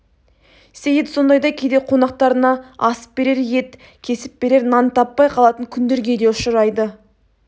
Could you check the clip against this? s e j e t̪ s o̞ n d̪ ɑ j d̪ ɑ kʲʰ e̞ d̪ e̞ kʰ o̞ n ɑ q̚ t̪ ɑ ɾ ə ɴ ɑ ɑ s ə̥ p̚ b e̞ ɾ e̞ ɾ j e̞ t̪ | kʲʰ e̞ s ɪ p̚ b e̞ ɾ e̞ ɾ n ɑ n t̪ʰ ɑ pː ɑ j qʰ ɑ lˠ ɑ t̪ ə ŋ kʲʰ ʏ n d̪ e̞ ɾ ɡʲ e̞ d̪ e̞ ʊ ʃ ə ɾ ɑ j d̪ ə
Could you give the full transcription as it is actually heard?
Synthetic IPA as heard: s e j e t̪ s o̞ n d̪ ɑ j d̪ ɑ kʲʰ e̞ d̪ e̞ qʰ o̞ n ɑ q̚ t̪ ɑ ɾ ə n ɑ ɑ s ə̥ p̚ b e̞ ɾ e̞ ɾ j e̞ t̪ | kʲʰ e̞ s ɪ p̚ b e̞ ɾ e̞ ɾ n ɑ n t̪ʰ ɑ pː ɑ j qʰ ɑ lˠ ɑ t̪ ə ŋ kʲʰ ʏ n d̪ e̞ ɾ ɡʲ e̞ d̪ e̞ ʊ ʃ ə ɾ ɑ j d̪ ə

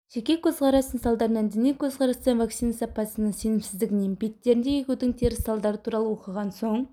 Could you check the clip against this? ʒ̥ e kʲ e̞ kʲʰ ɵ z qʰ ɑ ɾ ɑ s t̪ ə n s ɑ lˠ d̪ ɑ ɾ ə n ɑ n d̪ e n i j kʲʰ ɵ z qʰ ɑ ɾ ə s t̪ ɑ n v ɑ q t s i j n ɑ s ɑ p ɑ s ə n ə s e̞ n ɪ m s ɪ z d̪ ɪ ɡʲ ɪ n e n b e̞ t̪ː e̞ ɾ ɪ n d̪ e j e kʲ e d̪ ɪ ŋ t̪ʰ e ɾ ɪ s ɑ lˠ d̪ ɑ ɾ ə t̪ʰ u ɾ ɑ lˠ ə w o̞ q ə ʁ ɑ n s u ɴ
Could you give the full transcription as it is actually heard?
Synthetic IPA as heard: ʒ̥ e kʲ e̞ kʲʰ ɵ z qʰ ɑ ɾ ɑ s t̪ ə n s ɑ lˠ d̪ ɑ ɾ ə n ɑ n d̪ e n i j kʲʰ ɵ z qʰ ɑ ɾ ɑ s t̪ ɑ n v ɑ k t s i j n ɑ s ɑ p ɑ s ə n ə s e̞ n ɪ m s ɪ z d̪ ɪ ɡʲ ɪ n e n b e̞ t̪ː e̞ ɾ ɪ n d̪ e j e kʲ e d̪ ɪ ŋ t̪ʰ e ɾ ɪ s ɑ lˠ d̪ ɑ ɾ ə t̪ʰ u ɾ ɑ lˠ ə w o̞ q ə ʁ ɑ n s o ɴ

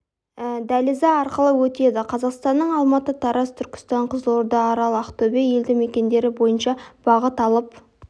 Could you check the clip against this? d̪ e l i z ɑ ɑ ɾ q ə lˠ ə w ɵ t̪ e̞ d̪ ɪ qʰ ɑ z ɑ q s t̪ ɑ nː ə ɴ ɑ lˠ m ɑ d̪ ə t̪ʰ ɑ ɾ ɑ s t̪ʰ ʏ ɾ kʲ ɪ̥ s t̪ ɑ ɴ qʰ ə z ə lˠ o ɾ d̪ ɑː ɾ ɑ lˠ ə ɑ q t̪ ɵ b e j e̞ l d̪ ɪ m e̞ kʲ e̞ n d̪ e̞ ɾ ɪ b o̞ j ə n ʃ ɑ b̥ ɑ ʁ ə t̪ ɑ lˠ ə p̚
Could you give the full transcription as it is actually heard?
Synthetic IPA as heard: d̪ æ l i z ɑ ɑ ɾ q ə lˠ ə w ɵ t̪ e̞ d̪ ɪ qʰ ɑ z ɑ q s t̪ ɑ nː ə ɴ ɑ lˠ m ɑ t̪ ə t̪ʰ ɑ ɾ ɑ s t̪ʰ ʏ ɾ kʲ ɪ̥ s t̪ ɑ ɴ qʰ ə z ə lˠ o ɾ d̪ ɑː ɾ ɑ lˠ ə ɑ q t̪ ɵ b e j e̞ l d̪ ɪ m e̞ kʲ e̞ n d̪ e̞ ɾ ɪ b o̞ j ə n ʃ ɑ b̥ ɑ ʁ ə t̪ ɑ lˠ ə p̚

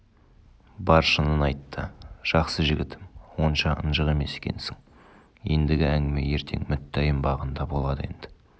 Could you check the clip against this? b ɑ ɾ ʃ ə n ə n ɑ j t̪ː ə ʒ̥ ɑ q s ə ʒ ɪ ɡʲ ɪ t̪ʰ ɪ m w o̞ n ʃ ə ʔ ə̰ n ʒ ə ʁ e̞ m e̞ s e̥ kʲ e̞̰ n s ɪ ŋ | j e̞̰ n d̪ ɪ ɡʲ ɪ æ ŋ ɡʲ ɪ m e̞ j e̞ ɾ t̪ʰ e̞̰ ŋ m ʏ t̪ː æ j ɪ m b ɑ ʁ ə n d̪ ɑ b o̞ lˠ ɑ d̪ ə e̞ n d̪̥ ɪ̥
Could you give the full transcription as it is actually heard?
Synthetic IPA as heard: b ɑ ɾ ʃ ə n ə n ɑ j t̪ː ə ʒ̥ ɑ q s ə ʒ ɪ ɡʲ ɪ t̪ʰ ɪ m w o̞ n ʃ ɑ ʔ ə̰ n ʒ ə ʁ e̞ m e̞ s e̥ kʲ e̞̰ n s ɪ ŋ | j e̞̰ n d̪ ɪ ɡʲ ɪ æ ŋ ɡʲ ɪ m e̞ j e̞ ɾ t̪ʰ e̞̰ ŋ m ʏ t̪ː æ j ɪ m b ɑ ʁ ə n d̪ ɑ b o̞ lˠ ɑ d̪ ə e̞ n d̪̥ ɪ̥

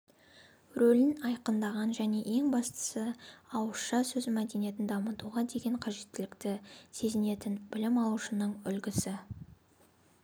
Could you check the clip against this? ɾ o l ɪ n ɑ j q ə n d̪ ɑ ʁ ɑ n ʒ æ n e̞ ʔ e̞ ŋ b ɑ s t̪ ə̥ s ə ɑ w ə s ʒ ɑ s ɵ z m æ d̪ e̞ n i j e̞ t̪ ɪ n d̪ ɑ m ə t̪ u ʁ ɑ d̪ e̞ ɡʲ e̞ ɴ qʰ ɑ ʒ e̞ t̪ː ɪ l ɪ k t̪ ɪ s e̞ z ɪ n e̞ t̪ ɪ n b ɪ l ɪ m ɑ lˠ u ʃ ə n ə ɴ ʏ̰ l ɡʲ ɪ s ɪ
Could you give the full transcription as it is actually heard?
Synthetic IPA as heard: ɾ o l ɪ n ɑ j q ə n d̪ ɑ ʁ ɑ n ʒ æ n e̞ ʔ e̞ ŋ b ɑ s t̪ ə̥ s ə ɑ w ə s ʃ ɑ s ɵ z m æ d̪ e̞ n i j e̞ t̪ ɪ n d̪ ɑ m ə t̪ u ʁ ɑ d̪ e̞ ɡʲ e̞ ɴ qʰ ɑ ʒ e̞ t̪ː ɪ l ɪ k t̪ ɪ s e̞ z ɪ n e̞ t̪ ɪ n b ɪ l ɪ m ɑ lˠ u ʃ ə n ə ɴ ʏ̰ l ɡʲ ɪ s ɪ

